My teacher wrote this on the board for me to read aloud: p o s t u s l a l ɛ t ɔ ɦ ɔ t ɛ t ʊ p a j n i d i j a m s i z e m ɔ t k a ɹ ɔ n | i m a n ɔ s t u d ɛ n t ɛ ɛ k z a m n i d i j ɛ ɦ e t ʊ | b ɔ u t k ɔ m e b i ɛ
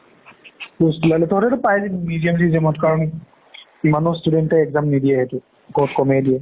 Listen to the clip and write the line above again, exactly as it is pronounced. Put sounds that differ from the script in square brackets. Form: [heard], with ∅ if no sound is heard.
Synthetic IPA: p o s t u [∅] l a l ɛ t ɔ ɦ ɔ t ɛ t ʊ p a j [m] i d i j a m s i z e m ɔ t k a ɹ ɔ n | i m a n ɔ s t u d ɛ n t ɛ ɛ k z a m n i d i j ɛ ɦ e t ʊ | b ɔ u t k ɔ m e [d] i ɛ